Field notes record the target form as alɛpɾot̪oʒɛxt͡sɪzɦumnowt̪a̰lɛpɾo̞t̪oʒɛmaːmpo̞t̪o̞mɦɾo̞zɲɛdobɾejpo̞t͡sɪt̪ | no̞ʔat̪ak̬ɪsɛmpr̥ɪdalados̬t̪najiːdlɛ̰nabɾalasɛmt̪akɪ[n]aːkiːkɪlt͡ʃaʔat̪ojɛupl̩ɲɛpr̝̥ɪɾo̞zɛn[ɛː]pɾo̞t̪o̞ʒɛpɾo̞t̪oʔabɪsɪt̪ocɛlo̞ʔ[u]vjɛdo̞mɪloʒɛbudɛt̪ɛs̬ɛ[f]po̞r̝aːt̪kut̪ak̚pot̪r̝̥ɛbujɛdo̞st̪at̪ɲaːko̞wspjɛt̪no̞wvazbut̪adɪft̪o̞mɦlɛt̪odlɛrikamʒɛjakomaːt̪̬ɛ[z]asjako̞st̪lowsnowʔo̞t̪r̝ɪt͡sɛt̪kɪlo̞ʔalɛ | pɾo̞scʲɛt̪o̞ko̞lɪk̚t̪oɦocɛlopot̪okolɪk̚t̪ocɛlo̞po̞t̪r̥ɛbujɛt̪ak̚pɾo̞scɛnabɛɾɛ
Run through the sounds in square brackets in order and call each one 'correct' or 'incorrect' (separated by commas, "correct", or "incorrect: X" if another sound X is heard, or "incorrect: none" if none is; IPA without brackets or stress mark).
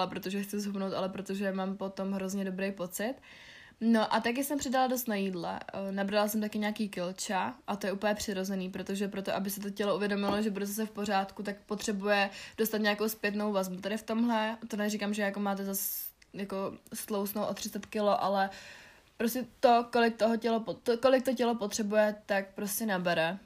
incorrect: ɲ, incorrect: iː, correct, correct, correct